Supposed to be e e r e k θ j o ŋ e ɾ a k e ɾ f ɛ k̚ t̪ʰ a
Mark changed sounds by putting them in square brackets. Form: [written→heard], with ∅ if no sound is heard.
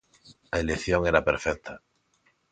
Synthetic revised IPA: [e→a] e [r→l] e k θ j o ŋ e ɾ a [k→p] e ɾ f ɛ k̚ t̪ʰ a